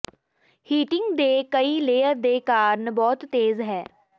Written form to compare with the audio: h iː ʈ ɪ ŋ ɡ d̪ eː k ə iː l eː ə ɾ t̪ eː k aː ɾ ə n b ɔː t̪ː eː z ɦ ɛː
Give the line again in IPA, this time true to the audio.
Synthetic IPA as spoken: h iː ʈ ɪ ŋ ɡ d̪ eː k ə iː l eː ə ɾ d̪ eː k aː ɾ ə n b ɔː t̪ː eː z ɦ ɛː